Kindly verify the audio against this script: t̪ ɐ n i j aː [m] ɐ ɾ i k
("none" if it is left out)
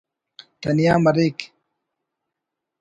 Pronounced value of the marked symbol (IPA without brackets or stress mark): m